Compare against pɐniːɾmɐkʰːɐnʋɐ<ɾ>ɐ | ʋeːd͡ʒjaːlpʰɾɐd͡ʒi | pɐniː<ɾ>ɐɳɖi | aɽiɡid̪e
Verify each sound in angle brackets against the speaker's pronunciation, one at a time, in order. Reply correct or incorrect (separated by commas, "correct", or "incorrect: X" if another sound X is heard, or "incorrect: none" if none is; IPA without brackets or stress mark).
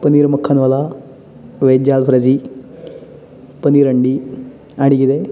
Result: incorrect: l, correct